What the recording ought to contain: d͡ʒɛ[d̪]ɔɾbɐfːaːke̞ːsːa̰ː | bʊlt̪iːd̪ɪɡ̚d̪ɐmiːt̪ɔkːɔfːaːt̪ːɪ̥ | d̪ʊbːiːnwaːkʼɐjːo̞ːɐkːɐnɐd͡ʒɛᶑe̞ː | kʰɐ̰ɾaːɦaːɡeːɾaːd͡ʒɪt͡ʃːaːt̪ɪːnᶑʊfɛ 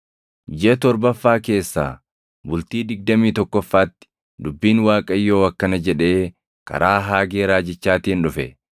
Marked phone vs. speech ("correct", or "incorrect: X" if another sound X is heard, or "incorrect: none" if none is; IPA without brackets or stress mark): incorrect: t̪